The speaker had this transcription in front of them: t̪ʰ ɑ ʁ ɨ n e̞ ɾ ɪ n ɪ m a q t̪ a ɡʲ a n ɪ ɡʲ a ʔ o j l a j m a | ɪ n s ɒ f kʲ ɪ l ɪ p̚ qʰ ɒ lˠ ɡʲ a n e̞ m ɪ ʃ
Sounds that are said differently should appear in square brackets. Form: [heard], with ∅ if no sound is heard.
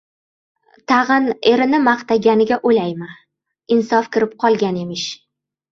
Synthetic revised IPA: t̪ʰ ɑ ʁ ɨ n e̞ ɾ ɪ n ɪ m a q t̪ a ɡʲ a n ɪ ɡʲ a ʔ o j l a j m a | ɪ n s ɒ f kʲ ɪ [ɾ] ɪ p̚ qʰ ɒ lˠ ɡʲ a n e̞ m ɪ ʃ